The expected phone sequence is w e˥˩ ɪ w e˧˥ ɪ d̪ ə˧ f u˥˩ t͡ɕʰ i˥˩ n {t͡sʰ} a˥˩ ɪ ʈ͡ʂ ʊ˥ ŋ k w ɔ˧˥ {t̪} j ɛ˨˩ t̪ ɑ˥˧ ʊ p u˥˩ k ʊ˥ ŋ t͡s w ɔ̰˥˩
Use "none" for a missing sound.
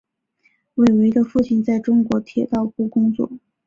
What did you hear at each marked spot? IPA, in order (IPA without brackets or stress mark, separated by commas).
t͡s, t̪ʰ